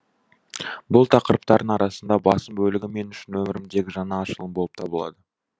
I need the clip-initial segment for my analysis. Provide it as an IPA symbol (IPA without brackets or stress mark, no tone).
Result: b